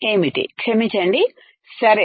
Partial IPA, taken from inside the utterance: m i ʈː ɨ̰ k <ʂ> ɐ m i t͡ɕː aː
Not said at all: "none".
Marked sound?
ʂ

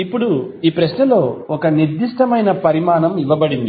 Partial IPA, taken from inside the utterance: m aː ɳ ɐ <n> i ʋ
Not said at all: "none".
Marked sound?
m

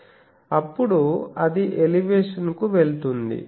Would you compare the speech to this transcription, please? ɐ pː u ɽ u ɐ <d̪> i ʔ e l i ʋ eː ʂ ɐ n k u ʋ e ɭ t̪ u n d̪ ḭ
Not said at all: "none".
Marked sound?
d̪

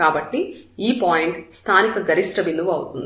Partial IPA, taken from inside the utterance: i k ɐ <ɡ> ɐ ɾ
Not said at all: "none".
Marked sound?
ɡ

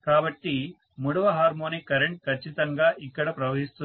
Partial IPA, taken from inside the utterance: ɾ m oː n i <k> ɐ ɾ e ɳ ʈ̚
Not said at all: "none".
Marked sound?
k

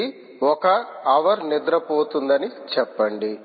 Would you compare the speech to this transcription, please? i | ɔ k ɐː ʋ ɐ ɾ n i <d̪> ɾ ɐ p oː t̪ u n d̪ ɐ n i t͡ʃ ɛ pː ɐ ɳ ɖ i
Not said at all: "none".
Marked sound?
d̪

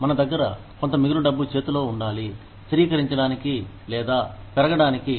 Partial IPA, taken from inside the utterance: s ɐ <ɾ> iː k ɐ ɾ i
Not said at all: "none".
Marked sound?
ɾ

